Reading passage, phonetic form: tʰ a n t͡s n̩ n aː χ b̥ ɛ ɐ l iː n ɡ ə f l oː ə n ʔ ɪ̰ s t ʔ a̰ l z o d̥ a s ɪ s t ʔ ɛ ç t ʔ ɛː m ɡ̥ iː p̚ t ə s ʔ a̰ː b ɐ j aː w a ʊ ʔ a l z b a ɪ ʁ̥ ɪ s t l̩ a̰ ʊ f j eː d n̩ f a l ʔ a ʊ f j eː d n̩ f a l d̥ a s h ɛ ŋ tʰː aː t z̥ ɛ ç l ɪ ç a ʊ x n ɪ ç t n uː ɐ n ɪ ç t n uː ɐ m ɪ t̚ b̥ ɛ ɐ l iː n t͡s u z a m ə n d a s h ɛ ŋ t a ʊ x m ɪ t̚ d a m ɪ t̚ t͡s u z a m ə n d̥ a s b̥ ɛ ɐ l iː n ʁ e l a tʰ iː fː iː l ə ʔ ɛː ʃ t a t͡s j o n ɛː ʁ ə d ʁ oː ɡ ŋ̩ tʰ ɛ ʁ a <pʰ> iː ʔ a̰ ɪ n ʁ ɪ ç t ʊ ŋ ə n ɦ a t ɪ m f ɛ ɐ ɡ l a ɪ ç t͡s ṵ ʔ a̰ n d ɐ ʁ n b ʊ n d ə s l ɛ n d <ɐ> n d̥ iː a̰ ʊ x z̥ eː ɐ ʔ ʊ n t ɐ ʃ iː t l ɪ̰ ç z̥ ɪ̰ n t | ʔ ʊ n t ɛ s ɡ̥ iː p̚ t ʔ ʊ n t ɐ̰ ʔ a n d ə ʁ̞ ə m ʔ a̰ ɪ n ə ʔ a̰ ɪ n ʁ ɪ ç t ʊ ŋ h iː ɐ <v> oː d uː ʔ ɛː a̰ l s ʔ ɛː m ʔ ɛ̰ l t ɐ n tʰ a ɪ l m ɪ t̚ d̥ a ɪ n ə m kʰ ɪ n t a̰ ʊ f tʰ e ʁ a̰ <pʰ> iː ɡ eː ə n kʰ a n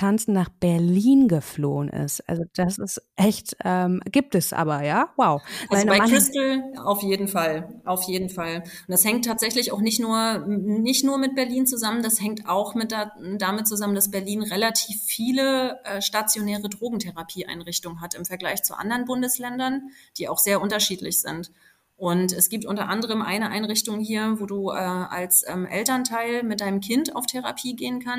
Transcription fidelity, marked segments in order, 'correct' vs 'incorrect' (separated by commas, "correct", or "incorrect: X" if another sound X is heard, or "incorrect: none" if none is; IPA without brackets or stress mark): correct, correct, correct, correct